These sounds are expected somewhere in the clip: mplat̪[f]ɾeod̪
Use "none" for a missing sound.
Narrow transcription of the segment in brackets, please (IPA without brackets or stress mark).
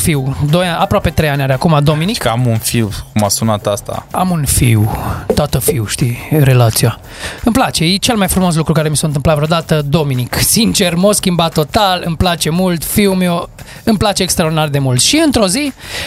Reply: v